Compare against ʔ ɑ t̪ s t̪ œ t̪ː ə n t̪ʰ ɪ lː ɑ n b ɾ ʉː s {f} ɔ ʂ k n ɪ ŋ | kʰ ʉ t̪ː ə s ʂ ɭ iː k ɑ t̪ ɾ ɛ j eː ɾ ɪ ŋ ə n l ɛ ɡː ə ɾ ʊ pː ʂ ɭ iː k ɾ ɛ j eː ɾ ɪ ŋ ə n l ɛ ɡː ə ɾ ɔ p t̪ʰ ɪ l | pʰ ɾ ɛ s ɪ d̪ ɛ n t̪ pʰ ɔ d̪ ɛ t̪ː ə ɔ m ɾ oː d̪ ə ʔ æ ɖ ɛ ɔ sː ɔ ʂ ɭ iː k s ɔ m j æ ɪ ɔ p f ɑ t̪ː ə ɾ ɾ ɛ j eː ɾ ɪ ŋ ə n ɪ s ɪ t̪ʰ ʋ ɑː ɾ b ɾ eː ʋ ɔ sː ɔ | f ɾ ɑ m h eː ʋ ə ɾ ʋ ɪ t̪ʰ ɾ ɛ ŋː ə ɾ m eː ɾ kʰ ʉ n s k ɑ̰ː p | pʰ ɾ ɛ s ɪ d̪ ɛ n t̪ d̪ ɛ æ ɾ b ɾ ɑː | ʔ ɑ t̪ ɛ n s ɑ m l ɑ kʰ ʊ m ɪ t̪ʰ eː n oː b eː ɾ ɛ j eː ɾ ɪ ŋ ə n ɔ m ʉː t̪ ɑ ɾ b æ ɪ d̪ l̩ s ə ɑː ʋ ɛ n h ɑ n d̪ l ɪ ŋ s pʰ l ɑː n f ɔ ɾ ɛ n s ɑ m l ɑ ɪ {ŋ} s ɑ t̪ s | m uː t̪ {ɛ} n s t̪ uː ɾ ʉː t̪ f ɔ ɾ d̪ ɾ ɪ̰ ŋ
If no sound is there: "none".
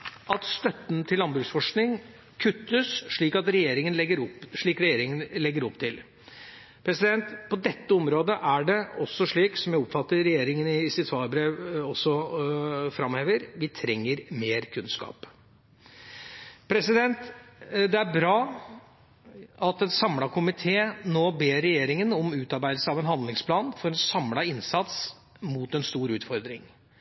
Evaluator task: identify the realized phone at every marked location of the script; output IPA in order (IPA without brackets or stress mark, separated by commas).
f, n, ɛ